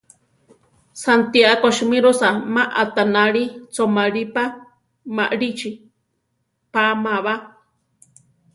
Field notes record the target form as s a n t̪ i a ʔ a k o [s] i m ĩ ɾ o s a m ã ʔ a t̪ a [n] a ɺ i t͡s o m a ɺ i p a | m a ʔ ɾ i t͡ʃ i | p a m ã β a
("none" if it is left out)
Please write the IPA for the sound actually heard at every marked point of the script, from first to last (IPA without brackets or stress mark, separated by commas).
ʃ, n